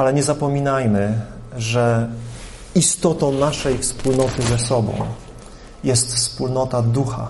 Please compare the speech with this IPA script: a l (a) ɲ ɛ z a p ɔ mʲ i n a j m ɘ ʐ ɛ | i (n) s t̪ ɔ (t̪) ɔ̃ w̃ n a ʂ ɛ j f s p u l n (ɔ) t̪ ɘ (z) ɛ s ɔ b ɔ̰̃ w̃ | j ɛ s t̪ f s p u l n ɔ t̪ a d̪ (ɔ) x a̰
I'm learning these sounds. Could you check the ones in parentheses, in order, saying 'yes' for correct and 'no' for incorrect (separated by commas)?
no, no, yes, yes, yes, no